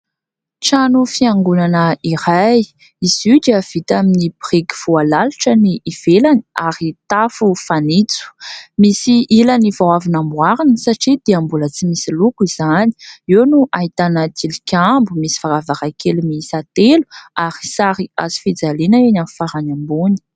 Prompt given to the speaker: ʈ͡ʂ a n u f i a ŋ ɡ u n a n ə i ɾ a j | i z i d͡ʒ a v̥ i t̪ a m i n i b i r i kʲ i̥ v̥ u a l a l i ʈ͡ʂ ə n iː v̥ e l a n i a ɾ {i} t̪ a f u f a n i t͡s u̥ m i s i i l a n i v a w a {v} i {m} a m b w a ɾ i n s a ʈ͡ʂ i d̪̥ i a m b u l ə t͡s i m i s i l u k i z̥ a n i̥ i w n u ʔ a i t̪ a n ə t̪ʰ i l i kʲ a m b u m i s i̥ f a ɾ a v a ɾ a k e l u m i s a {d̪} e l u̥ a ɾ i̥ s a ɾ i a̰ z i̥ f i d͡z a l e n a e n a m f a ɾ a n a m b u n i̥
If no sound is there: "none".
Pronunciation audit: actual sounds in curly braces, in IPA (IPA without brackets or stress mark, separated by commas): i, v, n, t̪